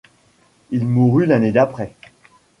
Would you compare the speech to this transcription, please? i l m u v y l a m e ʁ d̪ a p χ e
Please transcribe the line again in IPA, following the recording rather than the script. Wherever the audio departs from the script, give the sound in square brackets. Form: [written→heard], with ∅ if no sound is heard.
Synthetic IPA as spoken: i l m u [v→ʁ] y l a [m→n] e [ʁ→∅] d̪ a p χ [e→ɛ]